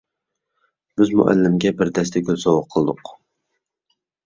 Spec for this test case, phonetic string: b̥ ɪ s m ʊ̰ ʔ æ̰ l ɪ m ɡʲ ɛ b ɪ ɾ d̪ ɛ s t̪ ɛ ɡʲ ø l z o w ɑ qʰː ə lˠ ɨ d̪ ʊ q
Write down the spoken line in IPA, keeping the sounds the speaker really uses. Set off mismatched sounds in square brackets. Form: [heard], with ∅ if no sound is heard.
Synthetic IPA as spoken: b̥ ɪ [z] m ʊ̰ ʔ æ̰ [lː] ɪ m ɡʲ ɛ b ɪ ɾ d̪ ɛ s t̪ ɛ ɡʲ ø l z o w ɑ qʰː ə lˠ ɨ d̪ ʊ q